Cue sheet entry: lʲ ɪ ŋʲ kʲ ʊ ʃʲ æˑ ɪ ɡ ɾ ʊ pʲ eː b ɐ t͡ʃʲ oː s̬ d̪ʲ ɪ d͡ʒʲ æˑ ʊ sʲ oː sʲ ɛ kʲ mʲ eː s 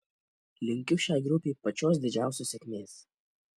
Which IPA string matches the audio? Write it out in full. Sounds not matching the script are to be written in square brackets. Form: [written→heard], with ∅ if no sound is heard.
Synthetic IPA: lʲ ɪ ŋʲ kʲ ʊ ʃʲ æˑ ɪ ɡ ɾ ʊ pʲ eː [b→p] ɐ t͡ʃʲ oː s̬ d̪ʲ ɪ d͡ʒʲ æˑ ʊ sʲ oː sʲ ɛ kʲ mʲ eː s